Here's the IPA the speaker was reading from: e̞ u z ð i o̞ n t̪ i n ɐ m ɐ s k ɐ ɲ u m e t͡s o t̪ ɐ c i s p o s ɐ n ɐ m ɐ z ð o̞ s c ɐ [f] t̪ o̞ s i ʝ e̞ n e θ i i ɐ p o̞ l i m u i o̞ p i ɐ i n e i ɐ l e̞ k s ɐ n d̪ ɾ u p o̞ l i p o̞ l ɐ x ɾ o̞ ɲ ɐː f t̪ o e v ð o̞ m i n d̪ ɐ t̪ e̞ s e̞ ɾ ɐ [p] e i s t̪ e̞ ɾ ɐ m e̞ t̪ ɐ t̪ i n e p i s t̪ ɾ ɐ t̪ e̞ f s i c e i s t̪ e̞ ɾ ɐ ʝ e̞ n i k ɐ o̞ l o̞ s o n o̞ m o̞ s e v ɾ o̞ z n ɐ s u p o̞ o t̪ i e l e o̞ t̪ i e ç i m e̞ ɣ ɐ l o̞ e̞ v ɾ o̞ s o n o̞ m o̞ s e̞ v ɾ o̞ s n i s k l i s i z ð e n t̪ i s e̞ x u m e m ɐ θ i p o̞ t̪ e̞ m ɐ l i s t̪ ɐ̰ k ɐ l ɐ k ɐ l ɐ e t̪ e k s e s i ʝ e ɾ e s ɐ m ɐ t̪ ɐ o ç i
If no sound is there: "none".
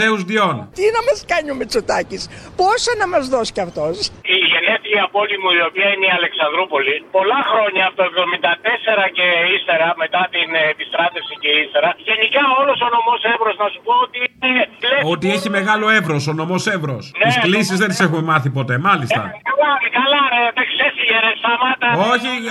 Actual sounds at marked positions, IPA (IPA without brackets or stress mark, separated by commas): f, c